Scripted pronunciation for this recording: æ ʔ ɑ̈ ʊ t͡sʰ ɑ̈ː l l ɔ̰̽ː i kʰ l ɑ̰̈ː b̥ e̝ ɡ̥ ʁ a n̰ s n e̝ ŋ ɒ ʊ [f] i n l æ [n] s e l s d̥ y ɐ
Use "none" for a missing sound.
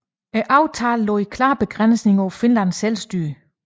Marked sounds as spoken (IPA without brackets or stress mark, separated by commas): f, n